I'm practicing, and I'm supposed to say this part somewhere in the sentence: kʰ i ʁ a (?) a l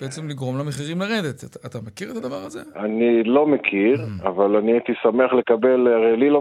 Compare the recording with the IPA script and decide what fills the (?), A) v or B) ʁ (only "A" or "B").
A